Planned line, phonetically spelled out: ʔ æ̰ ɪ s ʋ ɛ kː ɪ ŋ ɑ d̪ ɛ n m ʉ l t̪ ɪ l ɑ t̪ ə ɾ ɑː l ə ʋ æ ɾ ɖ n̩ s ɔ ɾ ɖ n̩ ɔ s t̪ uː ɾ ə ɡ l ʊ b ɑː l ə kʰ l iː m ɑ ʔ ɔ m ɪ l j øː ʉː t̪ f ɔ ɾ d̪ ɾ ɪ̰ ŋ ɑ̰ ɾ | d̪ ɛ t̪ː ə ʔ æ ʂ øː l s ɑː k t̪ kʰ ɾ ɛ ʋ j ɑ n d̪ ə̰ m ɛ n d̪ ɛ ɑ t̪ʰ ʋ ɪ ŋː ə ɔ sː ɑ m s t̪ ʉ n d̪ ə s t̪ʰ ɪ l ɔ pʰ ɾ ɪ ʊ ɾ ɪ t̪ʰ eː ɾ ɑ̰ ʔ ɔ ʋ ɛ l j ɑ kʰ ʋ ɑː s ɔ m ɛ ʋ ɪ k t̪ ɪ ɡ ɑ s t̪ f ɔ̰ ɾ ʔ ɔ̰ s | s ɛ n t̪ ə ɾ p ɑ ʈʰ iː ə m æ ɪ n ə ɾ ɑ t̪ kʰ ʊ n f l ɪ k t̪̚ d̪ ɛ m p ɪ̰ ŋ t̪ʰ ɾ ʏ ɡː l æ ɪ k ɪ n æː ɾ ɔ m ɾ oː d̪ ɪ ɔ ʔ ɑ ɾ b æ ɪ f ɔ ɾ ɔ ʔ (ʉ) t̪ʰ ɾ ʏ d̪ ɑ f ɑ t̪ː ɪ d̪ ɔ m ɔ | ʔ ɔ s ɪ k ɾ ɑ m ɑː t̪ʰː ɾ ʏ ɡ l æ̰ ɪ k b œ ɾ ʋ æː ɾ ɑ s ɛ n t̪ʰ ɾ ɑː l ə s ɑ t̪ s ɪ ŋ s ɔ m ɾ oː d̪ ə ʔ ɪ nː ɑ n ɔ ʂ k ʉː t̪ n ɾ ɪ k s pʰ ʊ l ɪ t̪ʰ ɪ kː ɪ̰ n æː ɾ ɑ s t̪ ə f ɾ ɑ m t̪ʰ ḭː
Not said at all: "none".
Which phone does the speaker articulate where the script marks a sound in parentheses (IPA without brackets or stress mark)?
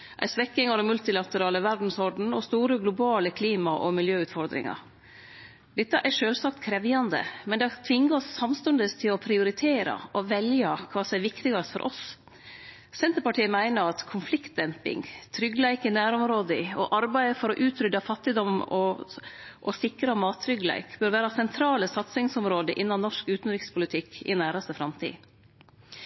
ʉː